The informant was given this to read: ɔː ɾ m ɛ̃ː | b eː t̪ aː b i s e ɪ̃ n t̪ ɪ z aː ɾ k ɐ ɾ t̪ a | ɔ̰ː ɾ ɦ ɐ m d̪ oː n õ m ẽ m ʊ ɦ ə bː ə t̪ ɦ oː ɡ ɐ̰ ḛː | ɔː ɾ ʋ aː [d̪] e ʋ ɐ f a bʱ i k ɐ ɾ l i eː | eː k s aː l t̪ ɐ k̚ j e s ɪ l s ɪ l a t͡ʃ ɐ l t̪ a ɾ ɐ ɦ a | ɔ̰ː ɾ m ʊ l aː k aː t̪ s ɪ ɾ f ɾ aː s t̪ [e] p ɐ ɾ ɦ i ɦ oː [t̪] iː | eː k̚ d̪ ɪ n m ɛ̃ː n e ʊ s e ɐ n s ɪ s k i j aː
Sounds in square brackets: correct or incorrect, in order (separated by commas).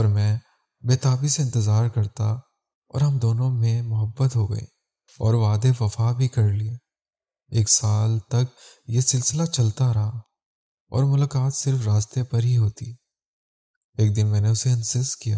correct, correct, correct